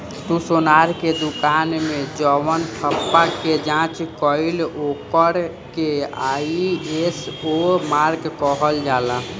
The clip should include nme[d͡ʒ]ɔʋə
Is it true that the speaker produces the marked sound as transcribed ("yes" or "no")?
yes